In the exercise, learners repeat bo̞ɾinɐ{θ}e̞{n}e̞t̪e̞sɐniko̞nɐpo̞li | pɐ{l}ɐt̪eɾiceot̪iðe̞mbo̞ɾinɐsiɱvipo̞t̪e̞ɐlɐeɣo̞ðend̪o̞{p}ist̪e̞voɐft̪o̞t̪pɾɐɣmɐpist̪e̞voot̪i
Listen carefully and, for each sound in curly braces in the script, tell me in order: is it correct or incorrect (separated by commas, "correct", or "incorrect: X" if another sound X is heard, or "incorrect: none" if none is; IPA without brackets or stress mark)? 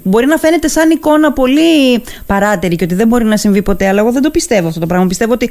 incorrect: f, correct, incorrect: ɾ, correct